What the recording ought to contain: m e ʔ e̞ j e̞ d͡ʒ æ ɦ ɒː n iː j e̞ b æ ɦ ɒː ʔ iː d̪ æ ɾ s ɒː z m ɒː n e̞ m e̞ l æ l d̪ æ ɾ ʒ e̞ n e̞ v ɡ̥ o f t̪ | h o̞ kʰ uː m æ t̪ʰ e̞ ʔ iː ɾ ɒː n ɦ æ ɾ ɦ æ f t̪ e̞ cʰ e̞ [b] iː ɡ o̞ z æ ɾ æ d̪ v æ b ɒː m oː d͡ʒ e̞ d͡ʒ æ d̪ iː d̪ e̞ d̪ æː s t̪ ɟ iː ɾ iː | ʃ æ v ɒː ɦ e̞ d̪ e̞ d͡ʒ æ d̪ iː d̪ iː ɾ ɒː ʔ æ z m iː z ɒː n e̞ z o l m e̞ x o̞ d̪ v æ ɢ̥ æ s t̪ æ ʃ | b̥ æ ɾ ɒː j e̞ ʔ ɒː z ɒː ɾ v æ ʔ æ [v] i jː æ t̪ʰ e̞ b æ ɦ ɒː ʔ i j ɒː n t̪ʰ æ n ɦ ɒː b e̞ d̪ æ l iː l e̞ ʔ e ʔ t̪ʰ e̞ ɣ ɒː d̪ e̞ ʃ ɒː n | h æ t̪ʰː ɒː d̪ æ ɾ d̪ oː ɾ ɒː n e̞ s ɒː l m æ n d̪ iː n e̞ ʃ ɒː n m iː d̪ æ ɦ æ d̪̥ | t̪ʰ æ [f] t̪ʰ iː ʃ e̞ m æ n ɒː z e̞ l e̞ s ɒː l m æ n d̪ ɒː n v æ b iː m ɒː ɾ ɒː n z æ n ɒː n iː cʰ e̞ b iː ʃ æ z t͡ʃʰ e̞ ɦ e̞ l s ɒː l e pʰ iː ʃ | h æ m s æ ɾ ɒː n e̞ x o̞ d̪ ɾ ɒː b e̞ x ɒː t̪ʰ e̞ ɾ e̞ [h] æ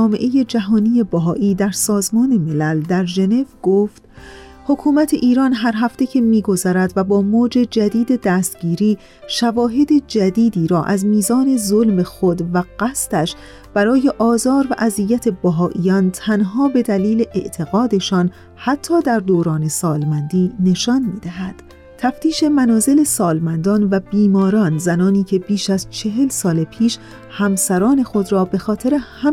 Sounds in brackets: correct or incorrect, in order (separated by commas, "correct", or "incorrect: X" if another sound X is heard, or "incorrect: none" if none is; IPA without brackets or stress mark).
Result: incorrect: m, incorrect: z, correct, correct